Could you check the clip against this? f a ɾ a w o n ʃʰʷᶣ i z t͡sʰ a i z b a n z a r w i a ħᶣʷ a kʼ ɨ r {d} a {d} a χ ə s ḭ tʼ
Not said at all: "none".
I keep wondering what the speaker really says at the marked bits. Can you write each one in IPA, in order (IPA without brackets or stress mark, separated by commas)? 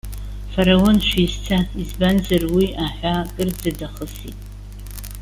d͡z, d